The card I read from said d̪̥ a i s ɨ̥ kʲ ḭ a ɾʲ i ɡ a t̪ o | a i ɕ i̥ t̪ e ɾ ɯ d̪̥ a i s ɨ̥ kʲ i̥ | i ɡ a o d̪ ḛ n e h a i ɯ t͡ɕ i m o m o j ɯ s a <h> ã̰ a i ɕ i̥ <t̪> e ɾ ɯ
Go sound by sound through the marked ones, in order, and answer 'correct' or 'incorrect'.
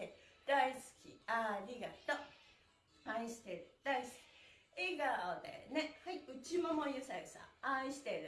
incorrect: s, correct

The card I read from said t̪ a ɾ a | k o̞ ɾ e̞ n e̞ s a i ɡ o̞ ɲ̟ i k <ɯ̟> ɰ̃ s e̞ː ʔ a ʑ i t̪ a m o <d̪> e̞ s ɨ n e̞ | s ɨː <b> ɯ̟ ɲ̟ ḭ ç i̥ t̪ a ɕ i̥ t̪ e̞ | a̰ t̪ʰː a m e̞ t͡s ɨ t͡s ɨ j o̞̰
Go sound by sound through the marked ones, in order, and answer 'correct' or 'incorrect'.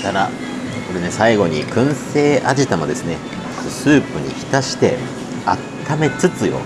incorrect: ɯ̟̃, correct, incorrect: p

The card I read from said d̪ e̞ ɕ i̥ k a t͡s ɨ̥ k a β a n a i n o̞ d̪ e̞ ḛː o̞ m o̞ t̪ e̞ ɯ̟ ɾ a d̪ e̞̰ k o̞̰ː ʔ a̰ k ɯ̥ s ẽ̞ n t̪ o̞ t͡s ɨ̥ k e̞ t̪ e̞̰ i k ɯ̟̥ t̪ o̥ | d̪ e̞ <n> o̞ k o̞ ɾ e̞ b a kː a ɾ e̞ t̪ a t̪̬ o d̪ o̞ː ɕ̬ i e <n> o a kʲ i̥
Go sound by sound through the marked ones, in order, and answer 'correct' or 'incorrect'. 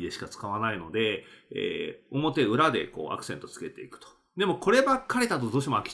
incorrect: m, incorrect: m

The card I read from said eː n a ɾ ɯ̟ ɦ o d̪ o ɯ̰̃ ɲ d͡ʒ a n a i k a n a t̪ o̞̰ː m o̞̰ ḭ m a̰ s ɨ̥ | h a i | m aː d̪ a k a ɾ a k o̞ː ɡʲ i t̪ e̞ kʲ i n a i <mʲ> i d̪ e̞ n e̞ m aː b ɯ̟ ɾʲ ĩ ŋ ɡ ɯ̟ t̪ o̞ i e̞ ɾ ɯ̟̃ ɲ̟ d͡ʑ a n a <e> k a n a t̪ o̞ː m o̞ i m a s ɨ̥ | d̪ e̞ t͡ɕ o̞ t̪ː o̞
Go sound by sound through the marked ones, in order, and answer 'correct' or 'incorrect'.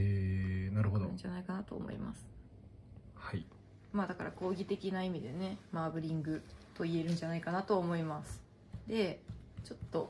correct, incorrect: i

